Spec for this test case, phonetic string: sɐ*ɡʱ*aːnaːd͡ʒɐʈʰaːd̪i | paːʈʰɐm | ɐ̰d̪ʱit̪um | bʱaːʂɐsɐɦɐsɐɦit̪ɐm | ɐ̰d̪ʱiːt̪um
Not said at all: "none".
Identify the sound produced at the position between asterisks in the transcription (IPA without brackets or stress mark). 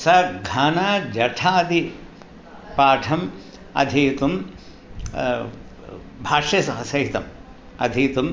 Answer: ɡʱ